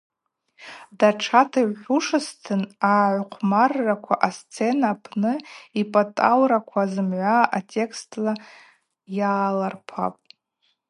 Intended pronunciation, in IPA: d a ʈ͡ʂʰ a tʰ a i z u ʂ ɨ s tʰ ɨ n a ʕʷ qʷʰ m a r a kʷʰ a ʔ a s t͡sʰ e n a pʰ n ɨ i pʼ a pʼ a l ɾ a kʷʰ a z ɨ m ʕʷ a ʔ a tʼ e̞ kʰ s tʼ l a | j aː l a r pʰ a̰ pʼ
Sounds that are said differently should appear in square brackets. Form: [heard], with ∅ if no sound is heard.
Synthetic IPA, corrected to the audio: d a ʈ͡ʂʰ a tʰ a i [ʕ] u ʂ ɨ s tʰ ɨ n a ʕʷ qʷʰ m a [rː] a kʷʰ a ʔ a s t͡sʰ e n a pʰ n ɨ i pʼ a [tʼ] a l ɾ a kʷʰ a z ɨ m ʕʷ a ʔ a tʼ e̞ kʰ s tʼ l a | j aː l a r pʰ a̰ pʼ

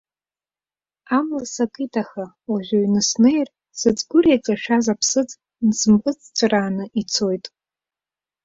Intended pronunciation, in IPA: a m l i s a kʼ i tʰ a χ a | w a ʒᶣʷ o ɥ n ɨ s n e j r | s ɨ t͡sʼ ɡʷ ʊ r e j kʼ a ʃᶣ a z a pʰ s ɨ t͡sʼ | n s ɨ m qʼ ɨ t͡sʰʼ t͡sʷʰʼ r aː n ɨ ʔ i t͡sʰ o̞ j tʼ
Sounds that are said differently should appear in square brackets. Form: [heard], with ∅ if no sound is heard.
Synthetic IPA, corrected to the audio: a m l [a] s a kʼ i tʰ a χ a | w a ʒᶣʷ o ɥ n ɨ s n e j r | s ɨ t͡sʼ ɡʷ ʊ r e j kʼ a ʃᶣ a z a pʰ s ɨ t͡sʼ | n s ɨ m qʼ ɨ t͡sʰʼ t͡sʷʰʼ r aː n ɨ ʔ i t͡sʰ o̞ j tʼ

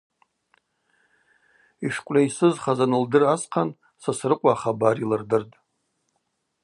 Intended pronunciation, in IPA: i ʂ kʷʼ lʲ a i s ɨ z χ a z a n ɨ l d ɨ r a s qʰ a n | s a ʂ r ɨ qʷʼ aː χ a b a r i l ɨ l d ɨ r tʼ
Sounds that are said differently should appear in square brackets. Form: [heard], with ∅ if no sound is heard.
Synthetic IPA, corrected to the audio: i ʂ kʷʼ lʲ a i s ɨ z χ a z a n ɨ l d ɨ r a s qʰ a n | s a [s] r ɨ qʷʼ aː χ a b a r i l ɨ [r] d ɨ r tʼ

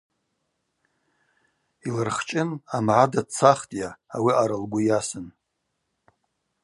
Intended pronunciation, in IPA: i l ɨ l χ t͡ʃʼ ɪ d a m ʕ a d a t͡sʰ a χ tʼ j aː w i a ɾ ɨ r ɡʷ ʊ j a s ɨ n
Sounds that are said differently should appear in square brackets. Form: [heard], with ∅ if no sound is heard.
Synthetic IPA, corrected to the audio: i l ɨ [r] χ t͡ʃʼ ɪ [n] a m ʕ a d a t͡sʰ a χ tʼ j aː w i a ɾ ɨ [l] ɡʷ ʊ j a s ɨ n

